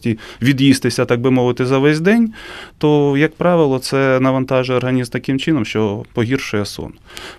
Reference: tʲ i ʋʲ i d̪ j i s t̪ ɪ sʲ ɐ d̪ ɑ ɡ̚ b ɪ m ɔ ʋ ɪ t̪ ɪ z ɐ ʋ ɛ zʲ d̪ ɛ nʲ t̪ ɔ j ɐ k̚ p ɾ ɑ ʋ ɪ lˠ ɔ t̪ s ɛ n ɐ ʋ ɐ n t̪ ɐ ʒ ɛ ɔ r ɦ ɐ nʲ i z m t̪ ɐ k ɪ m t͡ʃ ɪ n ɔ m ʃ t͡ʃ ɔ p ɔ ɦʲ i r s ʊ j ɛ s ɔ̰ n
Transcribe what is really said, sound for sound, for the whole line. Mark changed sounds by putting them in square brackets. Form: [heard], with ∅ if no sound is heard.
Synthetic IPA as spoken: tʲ i ʋʲ i d̪ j i s t̪ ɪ sʲ ɐ [t̪] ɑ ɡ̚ b ɪ m ɔ ʋ ɪ t̪ ɪ z ɐ ʋ ɛ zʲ d̪ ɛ nʲ t̪ ɔ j ɐ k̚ p ɾ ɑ ʋ ɪ lˠ ɔ t̪ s ɛ n ɐ ʋ ɐ n t̪ [ɑ] ʒ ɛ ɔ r ɦ ɐ nʲ i z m t̪ ɐ k ɪ m t͡ʃ ɪ n ɔ m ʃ t͡ʃ ɔ p ɔ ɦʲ i r [ʃ] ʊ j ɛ s ɔ̰ n